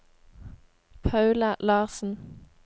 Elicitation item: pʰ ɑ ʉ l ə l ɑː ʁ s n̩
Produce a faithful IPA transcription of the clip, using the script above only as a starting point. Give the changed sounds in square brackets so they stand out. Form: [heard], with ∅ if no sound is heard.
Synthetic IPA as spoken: pʰ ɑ ʉ l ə l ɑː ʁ s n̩